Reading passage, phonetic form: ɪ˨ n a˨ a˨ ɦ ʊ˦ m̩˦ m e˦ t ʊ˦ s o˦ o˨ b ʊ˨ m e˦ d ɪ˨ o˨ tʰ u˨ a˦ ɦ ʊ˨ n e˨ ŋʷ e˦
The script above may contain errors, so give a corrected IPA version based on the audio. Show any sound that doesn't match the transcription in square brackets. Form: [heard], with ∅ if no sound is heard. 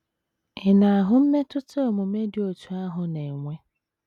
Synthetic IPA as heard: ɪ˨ n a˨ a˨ ɦ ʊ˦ m̩˦ m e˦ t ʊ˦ [t] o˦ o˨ [m] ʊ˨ m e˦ d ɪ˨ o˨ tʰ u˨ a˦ ɦ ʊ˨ n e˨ ŋʷ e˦

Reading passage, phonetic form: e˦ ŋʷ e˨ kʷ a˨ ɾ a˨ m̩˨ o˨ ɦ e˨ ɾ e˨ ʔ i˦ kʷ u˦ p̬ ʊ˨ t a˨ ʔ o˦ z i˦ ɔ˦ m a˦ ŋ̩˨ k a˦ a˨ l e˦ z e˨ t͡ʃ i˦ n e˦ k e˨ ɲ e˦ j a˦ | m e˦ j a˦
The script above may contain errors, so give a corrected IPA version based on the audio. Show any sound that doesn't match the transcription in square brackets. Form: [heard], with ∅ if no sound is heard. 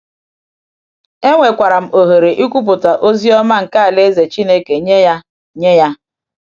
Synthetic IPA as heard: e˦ ŋʷ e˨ kʷ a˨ ɾ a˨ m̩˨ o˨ ɦ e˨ ɾ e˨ ʔ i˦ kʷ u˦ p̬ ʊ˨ t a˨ ʔ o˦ z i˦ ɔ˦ m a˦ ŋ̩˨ k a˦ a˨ l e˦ z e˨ t͡ʃ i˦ n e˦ k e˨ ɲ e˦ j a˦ | [ɲ] e˦ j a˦

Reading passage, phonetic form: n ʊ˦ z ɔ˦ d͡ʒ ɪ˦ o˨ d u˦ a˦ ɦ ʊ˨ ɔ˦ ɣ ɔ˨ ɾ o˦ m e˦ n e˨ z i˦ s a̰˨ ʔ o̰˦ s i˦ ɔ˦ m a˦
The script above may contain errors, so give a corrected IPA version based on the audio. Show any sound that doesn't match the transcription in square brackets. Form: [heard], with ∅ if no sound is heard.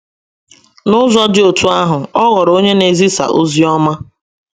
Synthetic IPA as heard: n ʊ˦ z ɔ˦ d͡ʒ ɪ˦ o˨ [t] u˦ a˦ ɦ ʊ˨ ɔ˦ ɣ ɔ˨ ɾ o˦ [ɲ] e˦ n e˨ z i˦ s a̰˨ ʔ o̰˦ [z] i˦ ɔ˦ m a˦

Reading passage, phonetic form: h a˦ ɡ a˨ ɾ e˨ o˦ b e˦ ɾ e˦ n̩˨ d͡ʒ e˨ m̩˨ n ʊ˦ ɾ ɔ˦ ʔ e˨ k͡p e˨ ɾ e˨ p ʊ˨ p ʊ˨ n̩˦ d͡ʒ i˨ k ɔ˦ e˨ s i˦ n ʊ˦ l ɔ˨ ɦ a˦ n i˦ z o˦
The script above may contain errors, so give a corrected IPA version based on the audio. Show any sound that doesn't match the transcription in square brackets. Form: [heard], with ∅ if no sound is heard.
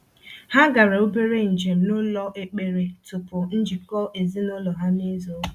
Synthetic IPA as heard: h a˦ ɡ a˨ ɾ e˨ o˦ b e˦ ɾ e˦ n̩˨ d͡ʒ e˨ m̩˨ n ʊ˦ [l] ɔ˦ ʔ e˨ k͡p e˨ ɾ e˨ [t] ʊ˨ p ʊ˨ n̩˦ d͡ʒ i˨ k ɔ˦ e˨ [z] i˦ n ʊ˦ l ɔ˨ ɦ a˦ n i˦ z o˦

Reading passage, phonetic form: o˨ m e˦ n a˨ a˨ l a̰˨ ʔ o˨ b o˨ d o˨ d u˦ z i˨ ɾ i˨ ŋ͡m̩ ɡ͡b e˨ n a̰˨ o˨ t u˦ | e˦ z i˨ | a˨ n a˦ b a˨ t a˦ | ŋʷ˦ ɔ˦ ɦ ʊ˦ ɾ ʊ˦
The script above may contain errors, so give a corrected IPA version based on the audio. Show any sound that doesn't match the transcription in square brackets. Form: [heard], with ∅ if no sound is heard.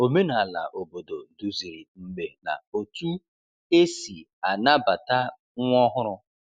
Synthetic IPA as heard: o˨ m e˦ n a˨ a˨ l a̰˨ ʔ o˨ b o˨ d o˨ d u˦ z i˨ ɾ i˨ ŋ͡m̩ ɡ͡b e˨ n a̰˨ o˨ t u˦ | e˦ [s] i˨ | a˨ n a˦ b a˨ t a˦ | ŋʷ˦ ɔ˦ ɦ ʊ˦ ɾ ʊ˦

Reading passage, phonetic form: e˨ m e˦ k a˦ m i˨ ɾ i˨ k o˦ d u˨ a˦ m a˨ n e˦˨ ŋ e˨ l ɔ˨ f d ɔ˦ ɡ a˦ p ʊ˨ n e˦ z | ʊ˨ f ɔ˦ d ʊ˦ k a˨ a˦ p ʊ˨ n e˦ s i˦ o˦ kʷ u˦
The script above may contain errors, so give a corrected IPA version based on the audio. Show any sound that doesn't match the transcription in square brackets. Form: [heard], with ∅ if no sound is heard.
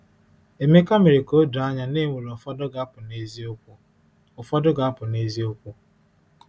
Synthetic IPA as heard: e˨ m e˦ k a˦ m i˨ ɾ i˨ k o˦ d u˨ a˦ [ɲ] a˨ n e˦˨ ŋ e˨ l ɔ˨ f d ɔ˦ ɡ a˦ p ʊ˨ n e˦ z | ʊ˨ f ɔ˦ d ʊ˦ [ɡ] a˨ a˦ p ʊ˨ n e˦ [z] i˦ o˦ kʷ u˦

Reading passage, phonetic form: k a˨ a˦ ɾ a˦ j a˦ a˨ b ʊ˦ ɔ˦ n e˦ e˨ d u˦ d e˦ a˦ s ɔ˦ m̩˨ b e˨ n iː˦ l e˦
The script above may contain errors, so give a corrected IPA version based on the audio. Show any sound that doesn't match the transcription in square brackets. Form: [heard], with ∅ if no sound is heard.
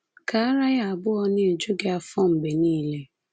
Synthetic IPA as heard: k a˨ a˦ ɾ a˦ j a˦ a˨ b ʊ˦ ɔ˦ n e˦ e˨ [d͡ʒ] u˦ [ɡ] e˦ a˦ [f] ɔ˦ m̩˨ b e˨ n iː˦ l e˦

